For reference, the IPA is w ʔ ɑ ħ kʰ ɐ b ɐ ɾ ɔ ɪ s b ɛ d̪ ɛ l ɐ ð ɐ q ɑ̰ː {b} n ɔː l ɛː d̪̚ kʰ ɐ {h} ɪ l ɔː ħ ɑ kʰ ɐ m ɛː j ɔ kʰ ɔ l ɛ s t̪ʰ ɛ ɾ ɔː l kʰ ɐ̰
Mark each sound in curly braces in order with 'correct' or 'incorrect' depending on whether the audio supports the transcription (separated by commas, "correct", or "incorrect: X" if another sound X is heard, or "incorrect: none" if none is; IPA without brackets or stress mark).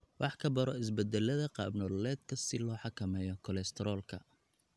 correct, incorrect: s